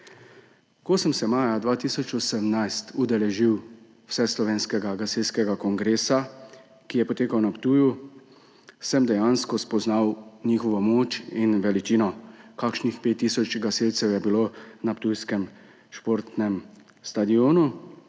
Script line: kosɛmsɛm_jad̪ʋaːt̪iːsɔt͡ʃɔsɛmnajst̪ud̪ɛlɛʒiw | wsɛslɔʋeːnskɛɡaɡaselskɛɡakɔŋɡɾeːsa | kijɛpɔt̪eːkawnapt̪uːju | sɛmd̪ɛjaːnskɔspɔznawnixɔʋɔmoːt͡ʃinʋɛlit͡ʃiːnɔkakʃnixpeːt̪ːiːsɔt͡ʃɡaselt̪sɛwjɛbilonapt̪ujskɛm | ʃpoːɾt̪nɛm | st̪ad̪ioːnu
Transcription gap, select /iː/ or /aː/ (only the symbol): aː